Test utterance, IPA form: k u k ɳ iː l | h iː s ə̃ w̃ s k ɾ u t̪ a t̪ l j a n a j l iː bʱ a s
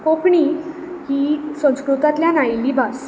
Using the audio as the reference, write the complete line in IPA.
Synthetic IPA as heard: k o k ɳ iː | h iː s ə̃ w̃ s k ɾ u t̪ a t̪ l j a n a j l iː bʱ a s